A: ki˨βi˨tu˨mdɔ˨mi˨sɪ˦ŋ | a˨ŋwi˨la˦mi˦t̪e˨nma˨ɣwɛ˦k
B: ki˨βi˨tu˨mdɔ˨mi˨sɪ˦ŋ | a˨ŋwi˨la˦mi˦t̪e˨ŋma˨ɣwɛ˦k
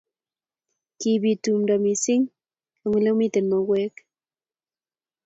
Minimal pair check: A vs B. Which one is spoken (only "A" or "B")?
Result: A